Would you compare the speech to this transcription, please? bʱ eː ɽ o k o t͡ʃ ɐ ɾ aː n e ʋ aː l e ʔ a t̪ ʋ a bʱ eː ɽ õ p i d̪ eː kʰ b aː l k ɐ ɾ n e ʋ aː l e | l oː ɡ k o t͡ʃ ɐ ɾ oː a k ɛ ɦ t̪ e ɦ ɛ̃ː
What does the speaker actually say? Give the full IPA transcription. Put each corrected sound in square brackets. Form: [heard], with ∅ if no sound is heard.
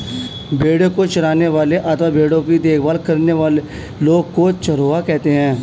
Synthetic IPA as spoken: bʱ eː ɽ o k o t͡ʃ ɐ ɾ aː n e ʋ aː l e ʔ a t̪ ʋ a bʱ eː ɽ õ [k] i d̪ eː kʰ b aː l k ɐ ɾ n e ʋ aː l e | l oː ɡ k o t͡ʃ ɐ ɾ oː a k ɛ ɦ t̪ e ɦ ɛ̃ː